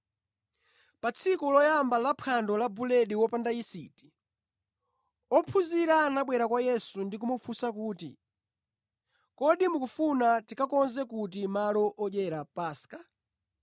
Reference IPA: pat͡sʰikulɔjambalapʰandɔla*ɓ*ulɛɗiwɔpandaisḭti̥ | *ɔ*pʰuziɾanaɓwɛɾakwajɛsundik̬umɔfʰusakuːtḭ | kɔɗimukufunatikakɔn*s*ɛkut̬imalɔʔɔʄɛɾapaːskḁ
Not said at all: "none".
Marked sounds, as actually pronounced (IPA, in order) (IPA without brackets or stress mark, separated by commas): b, ɔ, z